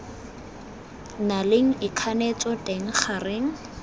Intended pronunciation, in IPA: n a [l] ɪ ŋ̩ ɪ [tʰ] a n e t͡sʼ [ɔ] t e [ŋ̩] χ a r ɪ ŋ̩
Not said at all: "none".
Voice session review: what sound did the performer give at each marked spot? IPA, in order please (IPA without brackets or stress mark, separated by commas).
l, kʰ, ɔ, ŋ̩